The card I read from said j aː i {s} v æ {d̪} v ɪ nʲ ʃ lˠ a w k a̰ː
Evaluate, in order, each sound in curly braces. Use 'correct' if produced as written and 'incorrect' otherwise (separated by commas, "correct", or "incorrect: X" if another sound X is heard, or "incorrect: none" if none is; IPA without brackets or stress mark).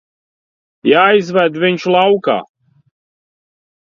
incorrect: z, correct